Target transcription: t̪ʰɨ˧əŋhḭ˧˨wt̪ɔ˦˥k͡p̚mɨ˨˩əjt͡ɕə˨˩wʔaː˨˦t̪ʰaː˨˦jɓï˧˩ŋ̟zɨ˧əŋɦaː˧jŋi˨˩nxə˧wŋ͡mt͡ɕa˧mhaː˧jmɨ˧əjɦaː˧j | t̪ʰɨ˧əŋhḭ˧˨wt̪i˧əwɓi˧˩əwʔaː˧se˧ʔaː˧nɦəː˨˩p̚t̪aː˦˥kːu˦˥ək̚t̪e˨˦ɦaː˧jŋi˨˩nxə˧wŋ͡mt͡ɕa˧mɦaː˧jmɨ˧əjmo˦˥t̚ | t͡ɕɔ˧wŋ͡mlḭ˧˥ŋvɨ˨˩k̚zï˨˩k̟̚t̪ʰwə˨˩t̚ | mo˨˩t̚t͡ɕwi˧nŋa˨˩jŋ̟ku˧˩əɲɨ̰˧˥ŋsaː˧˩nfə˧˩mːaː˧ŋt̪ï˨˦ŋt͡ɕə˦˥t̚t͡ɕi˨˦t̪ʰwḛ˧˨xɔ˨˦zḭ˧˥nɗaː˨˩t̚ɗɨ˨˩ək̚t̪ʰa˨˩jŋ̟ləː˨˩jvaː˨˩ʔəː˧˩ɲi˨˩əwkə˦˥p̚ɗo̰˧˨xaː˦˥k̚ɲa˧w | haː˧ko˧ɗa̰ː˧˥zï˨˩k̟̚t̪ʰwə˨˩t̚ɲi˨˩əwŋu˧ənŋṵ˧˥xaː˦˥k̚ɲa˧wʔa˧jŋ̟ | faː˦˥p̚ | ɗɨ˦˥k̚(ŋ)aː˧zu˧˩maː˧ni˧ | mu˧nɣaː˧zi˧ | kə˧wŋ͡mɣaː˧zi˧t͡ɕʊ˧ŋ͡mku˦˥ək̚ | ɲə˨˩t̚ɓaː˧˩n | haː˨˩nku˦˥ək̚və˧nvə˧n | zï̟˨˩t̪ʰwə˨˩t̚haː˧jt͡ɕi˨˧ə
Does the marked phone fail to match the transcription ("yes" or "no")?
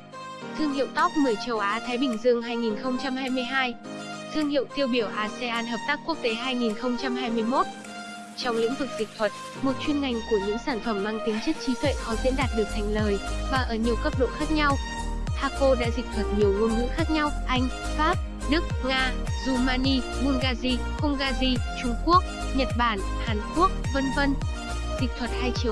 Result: no